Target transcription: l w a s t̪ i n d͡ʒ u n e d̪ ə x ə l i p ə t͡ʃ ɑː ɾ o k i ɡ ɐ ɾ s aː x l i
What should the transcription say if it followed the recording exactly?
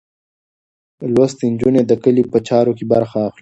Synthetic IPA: l w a s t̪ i n d͡ʒ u n e d̪ ə k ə l i p ə t͡ʃ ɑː ɾ o k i b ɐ ɾ x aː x l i